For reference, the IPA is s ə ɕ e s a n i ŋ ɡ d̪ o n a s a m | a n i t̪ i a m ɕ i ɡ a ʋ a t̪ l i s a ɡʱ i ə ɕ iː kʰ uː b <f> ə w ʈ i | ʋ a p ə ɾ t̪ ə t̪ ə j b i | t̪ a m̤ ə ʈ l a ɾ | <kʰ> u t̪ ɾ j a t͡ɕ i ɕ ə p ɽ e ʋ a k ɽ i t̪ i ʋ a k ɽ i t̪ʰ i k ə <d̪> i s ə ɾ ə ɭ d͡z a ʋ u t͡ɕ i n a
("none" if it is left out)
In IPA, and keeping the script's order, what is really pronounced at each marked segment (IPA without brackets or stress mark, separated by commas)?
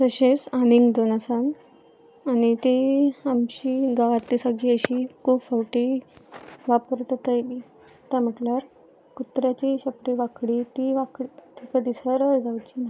f, k, d̪